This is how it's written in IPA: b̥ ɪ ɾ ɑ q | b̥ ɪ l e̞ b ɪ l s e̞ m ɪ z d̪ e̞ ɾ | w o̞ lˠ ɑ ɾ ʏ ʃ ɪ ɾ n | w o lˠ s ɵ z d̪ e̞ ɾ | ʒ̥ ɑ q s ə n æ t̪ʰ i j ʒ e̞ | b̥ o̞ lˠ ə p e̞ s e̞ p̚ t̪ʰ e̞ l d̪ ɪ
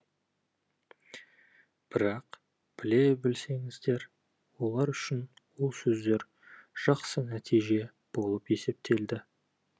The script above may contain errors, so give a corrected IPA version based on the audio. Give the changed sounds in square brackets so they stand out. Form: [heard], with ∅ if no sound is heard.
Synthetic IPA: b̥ ɪ ɾ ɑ q | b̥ ɪ l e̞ b ɪ l s e̞ [ŋ] ɪ z d̪ e̞ ɾ | w o̞ lˠ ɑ ɾ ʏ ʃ ɪ [∅] n | w o lˠ s ɵ z d̪ e̞ ɾ | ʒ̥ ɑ q s ə n æ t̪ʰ i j ʒ e̞ | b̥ o̞ lˠ ə p e̞ s e̞ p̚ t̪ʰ e̞ l d̪ ɪ